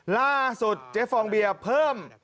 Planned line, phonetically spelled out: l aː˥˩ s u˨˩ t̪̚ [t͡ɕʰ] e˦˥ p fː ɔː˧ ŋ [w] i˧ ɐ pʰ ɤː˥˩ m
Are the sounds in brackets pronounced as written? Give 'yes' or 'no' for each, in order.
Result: no, no

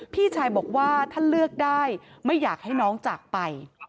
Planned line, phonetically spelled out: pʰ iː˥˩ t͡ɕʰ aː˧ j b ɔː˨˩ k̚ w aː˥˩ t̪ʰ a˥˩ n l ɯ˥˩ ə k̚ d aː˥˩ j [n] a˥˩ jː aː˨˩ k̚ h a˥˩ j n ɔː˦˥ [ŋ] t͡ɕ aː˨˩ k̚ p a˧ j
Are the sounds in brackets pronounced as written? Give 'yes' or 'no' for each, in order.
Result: no, yes

